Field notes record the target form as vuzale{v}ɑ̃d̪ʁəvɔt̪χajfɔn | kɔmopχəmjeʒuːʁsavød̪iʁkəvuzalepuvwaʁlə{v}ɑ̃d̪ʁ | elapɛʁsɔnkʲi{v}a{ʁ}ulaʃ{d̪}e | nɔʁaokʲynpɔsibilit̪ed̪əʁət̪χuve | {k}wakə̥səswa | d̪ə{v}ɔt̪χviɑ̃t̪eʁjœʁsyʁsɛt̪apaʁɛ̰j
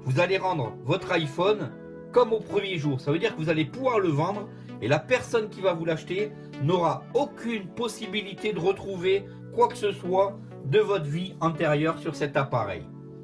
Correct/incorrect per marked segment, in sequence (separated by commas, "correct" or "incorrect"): incorrect, correct, correct, incorrect, incorrect, correct, correct